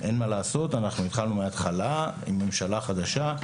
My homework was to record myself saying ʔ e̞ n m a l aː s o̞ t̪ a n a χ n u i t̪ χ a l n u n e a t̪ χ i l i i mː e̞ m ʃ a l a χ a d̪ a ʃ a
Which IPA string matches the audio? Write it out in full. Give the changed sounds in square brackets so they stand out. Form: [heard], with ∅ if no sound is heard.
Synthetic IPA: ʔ e̞ n m a l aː s o̞ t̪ a n a χ n u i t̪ χ a l n u [m] e a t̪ χ [a] l [a] i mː e̞ m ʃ a l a χ a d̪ a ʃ a